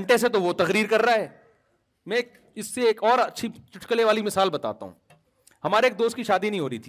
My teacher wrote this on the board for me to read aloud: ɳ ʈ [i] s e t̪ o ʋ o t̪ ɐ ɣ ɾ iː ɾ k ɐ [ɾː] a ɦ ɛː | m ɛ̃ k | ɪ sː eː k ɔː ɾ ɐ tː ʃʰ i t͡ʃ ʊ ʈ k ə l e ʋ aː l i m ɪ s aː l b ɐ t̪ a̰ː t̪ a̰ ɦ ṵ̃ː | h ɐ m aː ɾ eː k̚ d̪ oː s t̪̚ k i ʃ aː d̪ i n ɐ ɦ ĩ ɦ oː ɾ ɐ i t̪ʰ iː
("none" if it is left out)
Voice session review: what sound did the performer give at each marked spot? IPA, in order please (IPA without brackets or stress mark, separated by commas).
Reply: e, ɾː